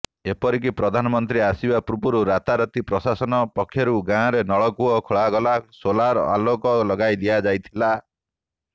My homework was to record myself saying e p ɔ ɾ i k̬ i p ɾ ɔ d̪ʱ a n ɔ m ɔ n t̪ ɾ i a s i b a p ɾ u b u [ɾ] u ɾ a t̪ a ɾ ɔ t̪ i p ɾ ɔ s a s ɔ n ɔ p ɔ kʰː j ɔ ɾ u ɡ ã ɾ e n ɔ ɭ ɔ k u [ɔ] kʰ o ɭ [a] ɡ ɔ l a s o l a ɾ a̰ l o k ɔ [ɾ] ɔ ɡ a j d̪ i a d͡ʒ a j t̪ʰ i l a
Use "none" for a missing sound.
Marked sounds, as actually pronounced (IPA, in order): ɾ, ɔ, a, l

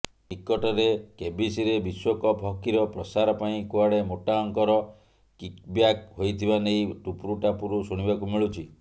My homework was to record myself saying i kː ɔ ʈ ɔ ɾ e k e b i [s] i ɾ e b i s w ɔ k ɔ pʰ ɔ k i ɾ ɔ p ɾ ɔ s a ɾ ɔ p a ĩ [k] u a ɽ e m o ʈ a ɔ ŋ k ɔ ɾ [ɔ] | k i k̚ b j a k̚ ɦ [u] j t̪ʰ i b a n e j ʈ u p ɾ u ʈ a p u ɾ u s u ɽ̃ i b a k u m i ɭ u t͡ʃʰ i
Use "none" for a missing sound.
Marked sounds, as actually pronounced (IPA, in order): s, k, ɔ, o

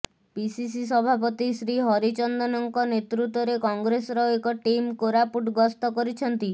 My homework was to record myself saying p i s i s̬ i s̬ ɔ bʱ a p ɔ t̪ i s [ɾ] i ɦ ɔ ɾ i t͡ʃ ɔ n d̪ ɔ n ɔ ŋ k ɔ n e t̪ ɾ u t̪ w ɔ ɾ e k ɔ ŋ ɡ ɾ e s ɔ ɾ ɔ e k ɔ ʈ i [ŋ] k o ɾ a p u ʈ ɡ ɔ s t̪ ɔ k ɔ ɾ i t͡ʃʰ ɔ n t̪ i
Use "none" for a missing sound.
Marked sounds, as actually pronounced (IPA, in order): ɾ, m

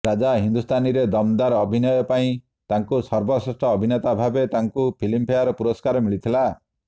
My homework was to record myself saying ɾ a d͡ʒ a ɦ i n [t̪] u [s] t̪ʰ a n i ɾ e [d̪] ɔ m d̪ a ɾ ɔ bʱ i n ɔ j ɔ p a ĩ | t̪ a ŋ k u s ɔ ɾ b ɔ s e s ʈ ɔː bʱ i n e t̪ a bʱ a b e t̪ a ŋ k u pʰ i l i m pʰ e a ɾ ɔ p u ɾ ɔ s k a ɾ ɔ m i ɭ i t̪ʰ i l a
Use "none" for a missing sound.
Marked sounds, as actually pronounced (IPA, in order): d̪, s, d̪

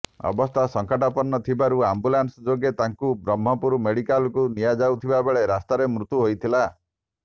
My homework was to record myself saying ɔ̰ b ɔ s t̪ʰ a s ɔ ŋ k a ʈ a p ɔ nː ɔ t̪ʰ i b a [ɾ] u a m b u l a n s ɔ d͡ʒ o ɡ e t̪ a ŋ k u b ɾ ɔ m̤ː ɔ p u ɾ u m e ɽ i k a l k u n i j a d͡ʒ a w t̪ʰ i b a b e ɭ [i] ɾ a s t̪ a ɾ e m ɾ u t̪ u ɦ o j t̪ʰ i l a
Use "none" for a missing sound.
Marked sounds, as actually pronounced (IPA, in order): ɾ, e

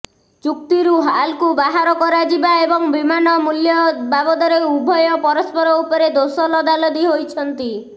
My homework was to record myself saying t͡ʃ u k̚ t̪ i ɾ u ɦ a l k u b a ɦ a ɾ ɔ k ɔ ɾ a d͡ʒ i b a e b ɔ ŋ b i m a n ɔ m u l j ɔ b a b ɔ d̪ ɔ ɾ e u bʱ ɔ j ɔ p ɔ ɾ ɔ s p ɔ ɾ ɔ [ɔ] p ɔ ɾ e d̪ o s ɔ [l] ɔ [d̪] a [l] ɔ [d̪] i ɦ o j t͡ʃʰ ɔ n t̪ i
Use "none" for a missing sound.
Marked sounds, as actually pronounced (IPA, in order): u, l, d̪, l, d̪

